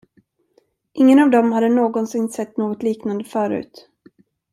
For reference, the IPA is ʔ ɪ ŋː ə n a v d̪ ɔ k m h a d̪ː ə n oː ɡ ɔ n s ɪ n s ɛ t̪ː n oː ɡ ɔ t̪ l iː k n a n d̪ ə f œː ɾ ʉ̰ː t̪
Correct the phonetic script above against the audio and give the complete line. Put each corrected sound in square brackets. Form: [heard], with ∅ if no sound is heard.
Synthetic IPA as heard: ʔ ɪ ŋː ə n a v d̪ ɔ [∅] m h a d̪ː ə n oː ɡ ɔ n s ɪ n s ɛ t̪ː n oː ɡ ɔ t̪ l iː k n a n d̪ ə f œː ɾ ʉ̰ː t̪